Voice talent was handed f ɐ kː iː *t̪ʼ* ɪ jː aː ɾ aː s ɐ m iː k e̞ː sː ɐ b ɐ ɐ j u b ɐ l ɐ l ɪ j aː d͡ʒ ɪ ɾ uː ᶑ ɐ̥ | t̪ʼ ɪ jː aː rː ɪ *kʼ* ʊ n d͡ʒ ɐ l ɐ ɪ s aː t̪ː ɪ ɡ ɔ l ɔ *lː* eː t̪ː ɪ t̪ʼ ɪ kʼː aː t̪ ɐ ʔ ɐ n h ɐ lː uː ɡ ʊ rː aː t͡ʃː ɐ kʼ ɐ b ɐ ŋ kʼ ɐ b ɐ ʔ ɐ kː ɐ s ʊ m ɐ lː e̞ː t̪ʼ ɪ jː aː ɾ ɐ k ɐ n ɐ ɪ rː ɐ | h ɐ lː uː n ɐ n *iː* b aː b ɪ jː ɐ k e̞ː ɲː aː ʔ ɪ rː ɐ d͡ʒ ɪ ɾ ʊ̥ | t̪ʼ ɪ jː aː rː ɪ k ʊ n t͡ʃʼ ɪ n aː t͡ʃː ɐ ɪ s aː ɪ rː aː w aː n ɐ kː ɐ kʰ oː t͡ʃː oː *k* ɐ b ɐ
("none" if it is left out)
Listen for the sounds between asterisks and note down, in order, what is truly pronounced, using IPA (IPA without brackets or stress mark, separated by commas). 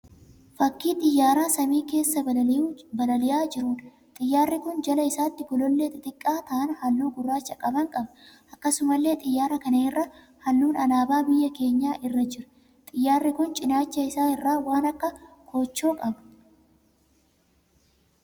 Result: t̪ʼ, k, lː, aː, kʼ